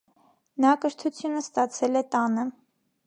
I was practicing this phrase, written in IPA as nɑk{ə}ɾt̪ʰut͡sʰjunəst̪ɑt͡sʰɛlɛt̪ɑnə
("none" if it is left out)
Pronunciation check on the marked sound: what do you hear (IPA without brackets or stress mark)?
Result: ə